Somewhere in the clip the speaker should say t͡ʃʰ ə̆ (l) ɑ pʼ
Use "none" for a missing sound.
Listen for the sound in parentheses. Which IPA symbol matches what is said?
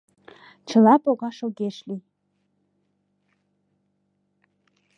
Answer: l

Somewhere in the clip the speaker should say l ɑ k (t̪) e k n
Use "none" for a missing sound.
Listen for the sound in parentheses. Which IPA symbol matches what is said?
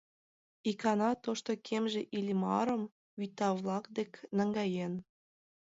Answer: d̪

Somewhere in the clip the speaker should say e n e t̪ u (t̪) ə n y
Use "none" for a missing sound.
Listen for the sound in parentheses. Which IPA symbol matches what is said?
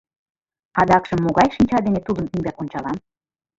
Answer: d̪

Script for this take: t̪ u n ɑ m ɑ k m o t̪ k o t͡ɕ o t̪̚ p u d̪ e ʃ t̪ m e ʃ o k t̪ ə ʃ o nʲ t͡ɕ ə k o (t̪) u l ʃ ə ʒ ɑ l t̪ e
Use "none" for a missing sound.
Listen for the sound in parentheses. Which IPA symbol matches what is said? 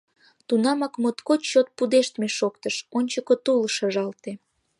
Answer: t̪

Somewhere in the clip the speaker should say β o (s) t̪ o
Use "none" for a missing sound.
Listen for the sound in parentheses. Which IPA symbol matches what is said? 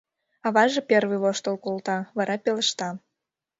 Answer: ʃ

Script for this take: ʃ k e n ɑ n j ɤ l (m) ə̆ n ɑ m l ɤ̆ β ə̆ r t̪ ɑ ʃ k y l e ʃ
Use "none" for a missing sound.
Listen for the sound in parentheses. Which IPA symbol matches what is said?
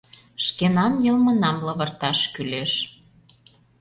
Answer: m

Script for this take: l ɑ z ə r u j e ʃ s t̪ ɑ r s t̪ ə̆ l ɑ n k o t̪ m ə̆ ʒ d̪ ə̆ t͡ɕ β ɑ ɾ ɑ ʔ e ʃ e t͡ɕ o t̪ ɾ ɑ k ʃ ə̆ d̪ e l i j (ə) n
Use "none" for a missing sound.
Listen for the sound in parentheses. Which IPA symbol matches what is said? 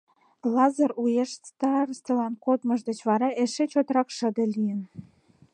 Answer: ə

